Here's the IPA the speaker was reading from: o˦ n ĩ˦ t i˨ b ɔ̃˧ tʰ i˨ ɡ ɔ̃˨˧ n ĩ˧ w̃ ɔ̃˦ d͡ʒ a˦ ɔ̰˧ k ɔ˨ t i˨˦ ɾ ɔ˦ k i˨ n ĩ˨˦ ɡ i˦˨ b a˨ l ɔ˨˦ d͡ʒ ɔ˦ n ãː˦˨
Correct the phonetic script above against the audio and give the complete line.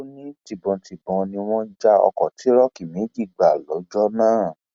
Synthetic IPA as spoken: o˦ n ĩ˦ t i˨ b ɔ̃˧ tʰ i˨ b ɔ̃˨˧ n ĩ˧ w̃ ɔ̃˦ d͡ʒ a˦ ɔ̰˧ k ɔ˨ t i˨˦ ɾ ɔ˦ k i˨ m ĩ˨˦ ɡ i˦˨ ɡ͡b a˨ l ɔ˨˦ d͡ʒ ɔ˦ n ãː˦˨